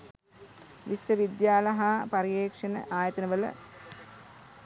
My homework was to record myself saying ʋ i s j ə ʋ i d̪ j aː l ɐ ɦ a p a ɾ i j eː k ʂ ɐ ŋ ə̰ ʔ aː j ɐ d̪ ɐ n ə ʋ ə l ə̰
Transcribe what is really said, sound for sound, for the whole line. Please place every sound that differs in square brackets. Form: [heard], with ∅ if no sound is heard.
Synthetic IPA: ʋ i s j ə ʋ i d̪ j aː l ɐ ɦ a p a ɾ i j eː k ʂ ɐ [n] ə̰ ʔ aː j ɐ [t̪] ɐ n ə ʋ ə l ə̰